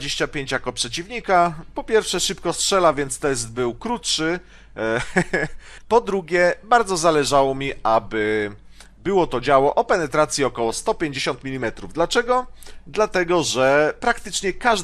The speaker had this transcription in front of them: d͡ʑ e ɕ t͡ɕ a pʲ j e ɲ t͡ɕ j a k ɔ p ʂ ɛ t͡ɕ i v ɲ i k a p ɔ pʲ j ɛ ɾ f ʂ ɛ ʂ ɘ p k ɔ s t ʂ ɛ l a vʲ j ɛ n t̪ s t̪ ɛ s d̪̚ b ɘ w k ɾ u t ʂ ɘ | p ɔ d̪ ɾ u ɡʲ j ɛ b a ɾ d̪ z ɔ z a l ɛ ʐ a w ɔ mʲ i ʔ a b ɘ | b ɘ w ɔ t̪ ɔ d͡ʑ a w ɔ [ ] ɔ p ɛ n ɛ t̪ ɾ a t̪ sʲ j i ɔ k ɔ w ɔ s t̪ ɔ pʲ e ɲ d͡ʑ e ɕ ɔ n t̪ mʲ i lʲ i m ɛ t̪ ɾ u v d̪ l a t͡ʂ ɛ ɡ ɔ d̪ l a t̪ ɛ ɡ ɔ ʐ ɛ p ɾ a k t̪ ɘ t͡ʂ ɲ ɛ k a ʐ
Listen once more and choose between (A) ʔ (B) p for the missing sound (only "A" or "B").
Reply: A